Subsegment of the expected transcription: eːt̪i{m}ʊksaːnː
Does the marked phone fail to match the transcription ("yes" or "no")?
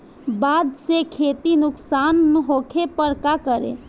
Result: yes